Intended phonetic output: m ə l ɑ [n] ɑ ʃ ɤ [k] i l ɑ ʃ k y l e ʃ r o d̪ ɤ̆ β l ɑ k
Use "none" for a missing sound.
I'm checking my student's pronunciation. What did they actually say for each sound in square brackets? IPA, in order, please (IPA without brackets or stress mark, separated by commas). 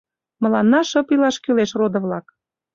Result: nː, p